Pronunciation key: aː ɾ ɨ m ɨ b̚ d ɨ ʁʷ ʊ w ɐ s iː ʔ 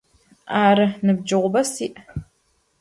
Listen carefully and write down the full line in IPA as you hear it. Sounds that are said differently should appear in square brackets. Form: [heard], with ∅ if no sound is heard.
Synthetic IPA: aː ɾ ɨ [n] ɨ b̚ [d͡ʒ] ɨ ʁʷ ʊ [b] ɐ s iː ʔ

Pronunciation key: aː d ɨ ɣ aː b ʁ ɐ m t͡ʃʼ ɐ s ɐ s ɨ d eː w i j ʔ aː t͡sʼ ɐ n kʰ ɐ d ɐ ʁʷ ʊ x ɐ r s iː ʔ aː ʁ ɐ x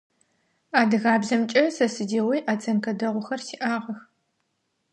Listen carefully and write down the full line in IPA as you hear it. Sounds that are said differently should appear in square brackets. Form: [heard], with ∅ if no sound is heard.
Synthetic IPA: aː d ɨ ɣ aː b [z] ɐ m t͡ʃʼ ɐ s ɐ s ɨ d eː w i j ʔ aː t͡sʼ ɐ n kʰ ɐ d ɐ ʁʷ ʊ x ɐ r s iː ʔ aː ʁ ɐ x

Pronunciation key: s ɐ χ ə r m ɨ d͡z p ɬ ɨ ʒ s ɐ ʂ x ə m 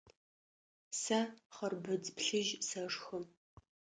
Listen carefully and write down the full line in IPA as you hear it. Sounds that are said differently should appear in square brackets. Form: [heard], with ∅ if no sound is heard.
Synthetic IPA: s ɐ χ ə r [b] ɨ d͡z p ɬ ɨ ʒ s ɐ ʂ x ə m

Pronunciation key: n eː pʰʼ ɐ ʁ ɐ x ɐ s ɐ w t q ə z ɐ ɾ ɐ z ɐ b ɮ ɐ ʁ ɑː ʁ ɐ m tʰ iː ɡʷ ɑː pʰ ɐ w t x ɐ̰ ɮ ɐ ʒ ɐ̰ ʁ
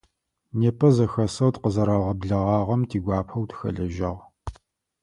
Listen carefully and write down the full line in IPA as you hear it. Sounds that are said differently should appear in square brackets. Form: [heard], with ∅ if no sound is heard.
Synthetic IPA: n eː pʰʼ ɐ [z] ɐ x ɐ s ɐ w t q ə z ɐ ɾ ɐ [ʁ] ɐ b ɮ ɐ ʁ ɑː ʁ ɐ m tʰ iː ɡʷ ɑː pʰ ɐ w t x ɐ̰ ɮ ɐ ʒ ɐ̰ ʁ

